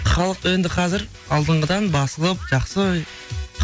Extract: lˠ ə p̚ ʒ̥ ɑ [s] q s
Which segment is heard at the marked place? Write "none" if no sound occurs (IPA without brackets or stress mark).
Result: none